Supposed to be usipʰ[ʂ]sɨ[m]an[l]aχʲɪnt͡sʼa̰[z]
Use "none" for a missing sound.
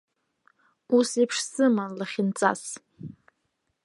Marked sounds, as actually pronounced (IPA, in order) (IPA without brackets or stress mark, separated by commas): ʂ, m, l, s